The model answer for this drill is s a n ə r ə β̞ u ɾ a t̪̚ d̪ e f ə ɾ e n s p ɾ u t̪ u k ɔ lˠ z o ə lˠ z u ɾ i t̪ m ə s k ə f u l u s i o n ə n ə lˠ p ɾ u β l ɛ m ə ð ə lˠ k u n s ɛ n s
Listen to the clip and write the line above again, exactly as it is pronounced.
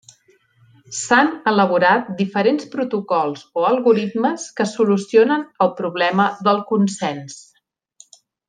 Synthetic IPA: s a n ə l ə β̞ u ɾ a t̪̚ d̪ i f ə ɾ e n s p ɾ u t̪ u k ɔ lˠ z o ə lˠ ɣ u ɾ i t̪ m ə s k ə s u l u s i o n ə n ə lˠ p ɾ u β l ɛ m ə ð ə lˠ k u n s ɛ n s